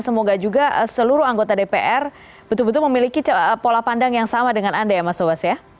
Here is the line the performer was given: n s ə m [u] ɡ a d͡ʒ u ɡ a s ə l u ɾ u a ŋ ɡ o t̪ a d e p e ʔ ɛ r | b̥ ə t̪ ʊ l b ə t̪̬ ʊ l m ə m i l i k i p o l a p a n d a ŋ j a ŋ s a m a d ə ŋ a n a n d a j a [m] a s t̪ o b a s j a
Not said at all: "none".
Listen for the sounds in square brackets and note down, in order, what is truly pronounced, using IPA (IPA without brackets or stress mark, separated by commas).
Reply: o, m